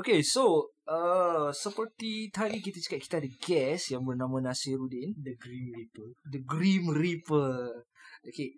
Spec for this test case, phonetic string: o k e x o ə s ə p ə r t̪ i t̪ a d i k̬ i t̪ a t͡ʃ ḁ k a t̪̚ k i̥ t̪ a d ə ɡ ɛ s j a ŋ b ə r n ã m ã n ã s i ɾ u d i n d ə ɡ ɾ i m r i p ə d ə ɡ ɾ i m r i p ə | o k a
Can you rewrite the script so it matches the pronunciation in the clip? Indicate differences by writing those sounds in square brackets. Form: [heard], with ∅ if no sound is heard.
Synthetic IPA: o k e [s] o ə s ə p ə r t̪ i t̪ a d i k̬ i t̪ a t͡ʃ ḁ k a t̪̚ k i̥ t̪ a d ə ɡ ɛ s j a ŋ b ə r n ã m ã n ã s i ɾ u d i n d ə ɡ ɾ i m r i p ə d ə ɡ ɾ i m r i p ə | o k [e]